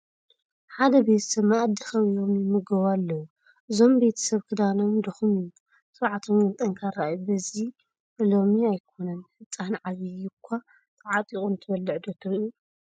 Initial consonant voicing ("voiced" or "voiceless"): voiceless